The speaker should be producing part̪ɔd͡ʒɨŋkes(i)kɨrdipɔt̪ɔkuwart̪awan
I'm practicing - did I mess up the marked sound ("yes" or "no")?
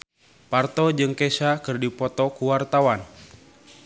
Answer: yes